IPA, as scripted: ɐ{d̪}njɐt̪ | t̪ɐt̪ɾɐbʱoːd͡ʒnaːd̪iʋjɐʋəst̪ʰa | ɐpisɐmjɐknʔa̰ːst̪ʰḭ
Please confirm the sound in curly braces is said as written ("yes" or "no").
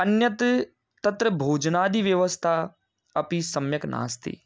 no